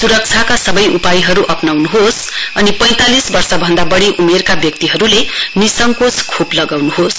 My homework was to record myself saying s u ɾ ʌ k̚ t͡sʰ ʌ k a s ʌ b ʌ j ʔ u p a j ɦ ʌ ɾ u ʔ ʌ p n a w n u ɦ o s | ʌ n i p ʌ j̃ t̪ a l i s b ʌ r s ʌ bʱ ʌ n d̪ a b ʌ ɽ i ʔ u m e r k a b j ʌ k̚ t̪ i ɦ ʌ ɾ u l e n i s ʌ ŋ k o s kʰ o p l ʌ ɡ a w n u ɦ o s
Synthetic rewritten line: s u ɾ ʌ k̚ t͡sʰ a k a s ʌ b ʌ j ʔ u p a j ɦ ʌ ɾ u ʔ ʌ p n a w n u ɦ o s | ʌ n i p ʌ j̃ t̪ a l i s b ʌ r s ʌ bʱ ʌ n d̪ a b ʌ ɽ i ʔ u m e r k a b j ʌ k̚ t̪ i ɦ ʌ ɾ u l e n i s ʌ ŋ k o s kʰ o p l ʌ ɡ a w n u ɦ o s